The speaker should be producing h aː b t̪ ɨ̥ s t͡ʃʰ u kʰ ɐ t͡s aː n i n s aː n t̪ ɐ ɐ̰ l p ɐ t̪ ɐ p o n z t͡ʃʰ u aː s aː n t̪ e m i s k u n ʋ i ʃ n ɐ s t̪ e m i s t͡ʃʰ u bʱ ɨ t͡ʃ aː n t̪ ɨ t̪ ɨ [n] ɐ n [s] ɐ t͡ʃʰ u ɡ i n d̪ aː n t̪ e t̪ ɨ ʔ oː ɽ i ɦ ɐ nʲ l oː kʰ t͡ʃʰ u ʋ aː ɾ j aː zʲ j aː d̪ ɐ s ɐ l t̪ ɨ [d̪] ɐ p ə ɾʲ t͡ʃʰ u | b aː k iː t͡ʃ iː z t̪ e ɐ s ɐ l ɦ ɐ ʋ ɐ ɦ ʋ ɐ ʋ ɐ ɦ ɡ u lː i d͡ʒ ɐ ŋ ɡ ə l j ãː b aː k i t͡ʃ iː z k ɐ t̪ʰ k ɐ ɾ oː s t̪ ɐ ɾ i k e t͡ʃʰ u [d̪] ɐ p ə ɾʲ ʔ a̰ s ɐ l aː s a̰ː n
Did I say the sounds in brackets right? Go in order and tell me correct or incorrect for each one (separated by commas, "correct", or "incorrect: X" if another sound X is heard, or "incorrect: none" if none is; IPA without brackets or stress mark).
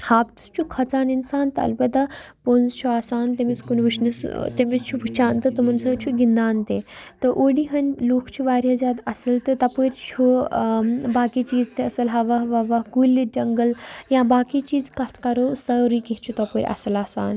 incorrect: m, correct, incorrect: t̪, incorrect: t̪